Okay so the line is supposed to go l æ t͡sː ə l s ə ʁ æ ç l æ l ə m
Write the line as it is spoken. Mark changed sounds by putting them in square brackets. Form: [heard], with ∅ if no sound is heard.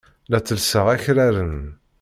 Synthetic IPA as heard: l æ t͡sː ə l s ə ʁ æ ç [ɾ] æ [ɾ] ə [n]